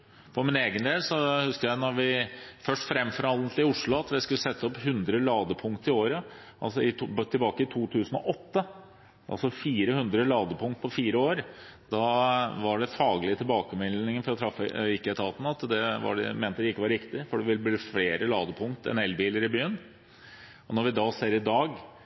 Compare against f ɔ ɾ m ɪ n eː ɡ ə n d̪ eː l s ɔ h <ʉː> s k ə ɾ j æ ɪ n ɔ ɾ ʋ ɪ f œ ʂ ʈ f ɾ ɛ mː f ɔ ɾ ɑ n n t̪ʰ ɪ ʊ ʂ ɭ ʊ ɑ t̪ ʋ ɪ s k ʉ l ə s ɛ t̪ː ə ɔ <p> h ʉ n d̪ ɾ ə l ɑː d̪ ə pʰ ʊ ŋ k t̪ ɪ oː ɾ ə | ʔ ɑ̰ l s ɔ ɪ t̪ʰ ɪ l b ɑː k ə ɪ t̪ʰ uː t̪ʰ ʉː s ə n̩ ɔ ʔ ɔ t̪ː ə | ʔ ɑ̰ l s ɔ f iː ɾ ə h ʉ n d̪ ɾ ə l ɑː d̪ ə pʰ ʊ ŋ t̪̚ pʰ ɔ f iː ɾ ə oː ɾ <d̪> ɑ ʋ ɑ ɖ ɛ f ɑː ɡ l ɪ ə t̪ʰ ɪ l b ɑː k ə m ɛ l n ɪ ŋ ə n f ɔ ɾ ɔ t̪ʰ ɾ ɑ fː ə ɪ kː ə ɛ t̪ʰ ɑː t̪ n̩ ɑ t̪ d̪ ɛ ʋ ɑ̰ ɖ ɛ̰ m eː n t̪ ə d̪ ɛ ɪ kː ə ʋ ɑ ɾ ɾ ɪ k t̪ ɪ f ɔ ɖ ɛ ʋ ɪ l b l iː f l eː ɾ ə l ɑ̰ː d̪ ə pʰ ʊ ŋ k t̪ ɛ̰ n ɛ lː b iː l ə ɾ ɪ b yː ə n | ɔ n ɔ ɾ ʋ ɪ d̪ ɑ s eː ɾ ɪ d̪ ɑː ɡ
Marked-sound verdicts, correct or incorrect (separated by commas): incorrect, correct, correct